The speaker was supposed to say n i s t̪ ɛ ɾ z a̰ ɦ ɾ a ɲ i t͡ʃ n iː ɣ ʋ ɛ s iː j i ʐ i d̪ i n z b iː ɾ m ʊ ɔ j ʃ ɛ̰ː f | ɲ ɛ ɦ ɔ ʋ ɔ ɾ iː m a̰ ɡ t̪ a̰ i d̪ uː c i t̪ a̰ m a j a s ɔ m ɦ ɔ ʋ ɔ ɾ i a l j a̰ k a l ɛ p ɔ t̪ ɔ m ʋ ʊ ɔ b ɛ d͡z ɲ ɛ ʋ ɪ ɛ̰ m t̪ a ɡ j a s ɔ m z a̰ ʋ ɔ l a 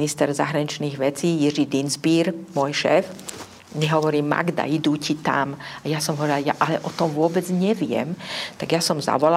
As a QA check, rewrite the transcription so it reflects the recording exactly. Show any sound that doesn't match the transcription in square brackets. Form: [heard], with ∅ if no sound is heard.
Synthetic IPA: n i s t̪ ɛ ɾ z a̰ ɦ ɾ a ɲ i t͡ʃ n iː ɣ ʋ ɛ [t͡s] iː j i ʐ i d̪ i n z b iː ɾ m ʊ ɔ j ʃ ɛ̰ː f | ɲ ɛ ɦ ɔ ʋ ɔ ɾ iː m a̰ ɡ [d̪] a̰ i d̪ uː c i t̪ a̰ m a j a s ɔ m ɦ ɔ ʋ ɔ ɾ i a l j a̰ [ʔ] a l ɛ [ʔ] ɔ t̪ ɔ m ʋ ʊ ɔ b ɛ d͡z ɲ ɛ ʋ ɪ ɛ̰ m t̪ a ɡ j a s ɔ m z a̰ ʋ ɔ l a